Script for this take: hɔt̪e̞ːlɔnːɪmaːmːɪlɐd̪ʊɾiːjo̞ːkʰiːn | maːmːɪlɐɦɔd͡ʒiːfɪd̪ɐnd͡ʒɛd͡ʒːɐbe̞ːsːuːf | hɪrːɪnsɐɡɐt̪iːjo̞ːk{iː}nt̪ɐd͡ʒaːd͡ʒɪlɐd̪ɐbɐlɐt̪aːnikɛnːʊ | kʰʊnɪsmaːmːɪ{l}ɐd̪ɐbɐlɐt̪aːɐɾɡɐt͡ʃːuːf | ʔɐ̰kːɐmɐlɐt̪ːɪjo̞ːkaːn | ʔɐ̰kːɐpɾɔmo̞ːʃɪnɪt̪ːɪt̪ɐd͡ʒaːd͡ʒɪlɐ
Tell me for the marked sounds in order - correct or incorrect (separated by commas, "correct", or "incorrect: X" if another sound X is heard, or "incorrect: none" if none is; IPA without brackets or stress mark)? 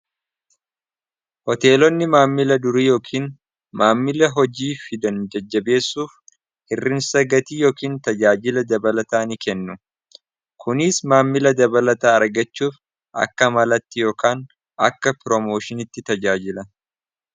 correct, correct